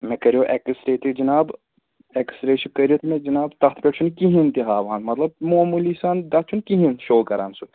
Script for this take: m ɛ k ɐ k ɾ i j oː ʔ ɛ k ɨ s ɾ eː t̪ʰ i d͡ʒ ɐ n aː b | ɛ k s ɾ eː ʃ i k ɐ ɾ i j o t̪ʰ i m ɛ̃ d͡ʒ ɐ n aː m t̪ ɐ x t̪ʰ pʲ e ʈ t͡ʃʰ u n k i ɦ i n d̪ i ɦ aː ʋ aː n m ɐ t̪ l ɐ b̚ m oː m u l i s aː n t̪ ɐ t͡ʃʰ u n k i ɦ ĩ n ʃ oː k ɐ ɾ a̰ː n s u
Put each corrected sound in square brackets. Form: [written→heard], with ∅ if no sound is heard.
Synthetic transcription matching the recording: m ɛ k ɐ [k→∅] ɾ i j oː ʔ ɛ k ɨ s ɾ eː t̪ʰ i d͡ʒ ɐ n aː b | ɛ k s ɾ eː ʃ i k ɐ ɾ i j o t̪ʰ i m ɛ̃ d͡ʒ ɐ n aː [m→b] t̪ ɐ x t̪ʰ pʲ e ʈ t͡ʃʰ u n k i ɦ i n [d̪→t̪] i ɦ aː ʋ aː n m ɐ t̪ l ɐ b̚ m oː m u l i s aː n [t̪→d̪] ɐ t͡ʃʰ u n k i ɦ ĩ n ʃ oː k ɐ ɾ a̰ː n s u